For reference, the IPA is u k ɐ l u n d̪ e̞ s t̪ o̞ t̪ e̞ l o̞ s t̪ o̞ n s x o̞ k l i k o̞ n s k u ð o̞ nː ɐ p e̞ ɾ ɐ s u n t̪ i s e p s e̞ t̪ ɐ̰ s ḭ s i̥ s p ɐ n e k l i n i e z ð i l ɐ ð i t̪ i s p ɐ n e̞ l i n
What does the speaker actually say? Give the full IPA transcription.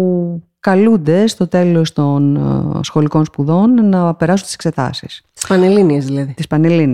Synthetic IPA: u k ɐ l u n d̪ e̞ s t̪ o̞ t̪ e̞ l o̞ s t̪ o̞ n s x o̞ l i k o̞ n s p u ð o̞ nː ɐ p e̞ ɾ ɐ s u n t̪ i s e k s e̞ t̪ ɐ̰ s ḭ s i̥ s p ɐ n e l i n i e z ð i l ɐ ð i t̪ i s p ɐ n e̞ l i n